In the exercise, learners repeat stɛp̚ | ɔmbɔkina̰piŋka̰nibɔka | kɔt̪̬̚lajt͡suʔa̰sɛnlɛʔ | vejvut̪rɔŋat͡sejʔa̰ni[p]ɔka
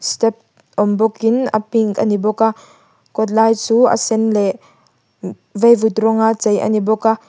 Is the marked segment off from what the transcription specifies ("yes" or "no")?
yes